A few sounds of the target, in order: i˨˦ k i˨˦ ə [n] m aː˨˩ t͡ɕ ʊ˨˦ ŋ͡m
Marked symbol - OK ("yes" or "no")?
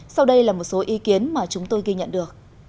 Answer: yes